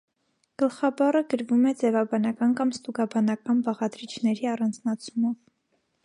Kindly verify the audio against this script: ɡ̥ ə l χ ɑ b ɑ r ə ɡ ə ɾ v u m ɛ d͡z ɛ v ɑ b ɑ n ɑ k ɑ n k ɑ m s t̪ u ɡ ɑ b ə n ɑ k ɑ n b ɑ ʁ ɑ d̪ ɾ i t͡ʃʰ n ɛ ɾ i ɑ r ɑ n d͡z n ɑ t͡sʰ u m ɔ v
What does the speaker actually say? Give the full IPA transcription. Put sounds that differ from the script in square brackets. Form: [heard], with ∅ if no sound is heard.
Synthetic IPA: ɡ̥ ə l χ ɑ b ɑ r ə ɡ ə ɾ v u m ɛ d͡z ɛ v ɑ b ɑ n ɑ k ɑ n k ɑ m s t̪ u ɡ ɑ b [ɑ] n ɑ k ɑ n b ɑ ʁ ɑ d̪ ɾ i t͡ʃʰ n ɛ ɾ i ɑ r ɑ n d͡z n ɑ t͡sʰ u m ɔ v

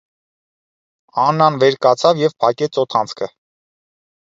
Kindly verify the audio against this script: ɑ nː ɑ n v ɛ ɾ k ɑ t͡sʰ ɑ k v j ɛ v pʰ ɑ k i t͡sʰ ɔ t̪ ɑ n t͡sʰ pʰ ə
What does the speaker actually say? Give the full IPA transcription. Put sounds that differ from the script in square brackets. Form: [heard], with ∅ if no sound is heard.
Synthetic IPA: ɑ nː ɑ n v ɛ ɾ k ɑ t͡sʰ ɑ [∅] v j ɛ v pʰ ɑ k [ɛ] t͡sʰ ɔ [t̪ʰ] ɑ n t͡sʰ [kʰ] ə

